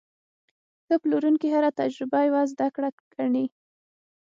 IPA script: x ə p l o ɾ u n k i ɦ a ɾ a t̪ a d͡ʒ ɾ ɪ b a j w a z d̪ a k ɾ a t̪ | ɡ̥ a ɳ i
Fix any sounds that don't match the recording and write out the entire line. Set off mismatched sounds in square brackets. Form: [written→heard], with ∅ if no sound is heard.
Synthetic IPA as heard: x ə p l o ɾ u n k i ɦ a ɾ a t̪ a d͡ʒ ɾ ɪ b a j w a z d̪ a k [ɾ→ɽ] a [t̪→∅] | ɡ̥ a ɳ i